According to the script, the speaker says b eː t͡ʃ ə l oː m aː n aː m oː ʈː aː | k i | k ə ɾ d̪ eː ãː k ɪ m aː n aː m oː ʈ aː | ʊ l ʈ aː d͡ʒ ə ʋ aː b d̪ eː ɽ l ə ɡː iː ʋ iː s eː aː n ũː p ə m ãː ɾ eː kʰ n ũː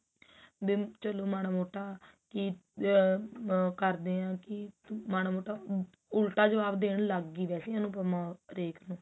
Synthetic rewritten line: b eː t͡ʃ ə l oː m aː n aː m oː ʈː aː | k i | k ə ɾ d̪ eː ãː k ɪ m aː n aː m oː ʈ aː | ʊ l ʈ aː d͡ʒ ə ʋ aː b d̪ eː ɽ l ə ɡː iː ʋ ɛː s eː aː n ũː p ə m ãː ɾ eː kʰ n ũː